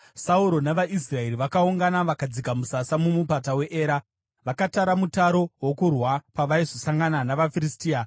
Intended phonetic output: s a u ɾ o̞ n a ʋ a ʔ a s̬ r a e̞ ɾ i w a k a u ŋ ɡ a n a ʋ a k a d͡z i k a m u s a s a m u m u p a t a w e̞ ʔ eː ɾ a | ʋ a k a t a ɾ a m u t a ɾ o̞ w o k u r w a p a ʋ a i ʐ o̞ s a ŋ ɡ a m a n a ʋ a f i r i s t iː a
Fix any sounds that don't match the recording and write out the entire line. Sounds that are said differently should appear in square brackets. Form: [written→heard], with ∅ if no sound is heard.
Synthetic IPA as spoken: s a u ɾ o̞ n a ʋ a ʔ [a→i] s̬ r a e̞ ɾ i [w→ʋ] a k a u ŋ ɡ a n a ʋ a k a d͡z i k a m u s a s a m u m u p a t a w e̞ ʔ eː ɾ a | ʋ a k a t a ɾ a m u t a ɾ o̞ w o k u r w a p a ʋ a i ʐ o̞ s a ŋ ɡ a [m→n] a n a ʋ a f i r i s t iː a